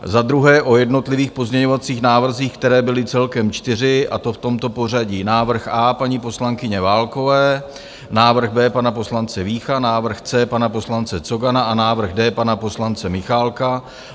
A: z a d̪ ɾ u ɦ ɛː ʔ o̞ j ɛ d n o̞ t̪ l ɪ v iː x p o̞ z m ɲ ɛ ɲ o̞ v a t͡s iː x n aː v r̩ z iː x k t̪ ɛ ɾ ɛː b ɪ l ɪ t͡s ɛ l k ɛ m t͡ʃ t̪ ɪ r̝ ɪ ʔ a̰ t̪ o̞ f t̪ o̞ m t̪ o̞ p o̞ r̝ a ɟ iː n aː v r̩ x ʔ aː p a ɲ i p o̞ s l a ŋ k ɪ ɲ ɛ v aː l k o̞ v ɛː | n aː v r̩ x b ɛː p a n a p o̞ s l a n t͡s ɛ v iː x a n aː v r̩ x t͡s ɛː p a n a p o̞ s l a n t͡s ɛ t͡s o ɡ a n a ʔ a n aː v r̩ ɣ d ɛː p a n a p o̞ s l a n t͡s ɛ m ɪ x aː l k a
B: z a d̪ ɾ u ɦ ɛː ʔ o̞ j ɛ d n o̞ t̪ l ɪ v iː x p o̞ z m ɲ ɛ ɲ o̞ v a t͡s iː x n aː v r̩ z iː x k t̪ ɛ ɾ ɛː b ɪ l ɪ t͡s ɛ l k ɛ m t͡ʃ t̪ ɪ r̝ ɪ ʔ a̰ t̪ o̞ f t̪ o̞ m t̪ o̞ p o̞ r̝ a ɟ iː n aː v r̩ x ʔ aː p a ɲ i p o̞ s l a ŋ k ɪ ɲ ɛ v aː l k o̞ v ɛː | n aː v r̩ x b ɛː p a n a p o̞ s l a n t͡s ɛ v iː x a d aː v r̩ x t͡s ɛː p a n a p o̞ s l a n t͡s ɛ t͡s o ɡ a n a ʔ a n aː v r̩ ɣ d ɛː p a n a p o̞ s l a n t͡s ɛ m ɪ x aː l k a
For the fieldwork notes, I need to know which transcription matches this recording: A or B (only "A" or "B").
A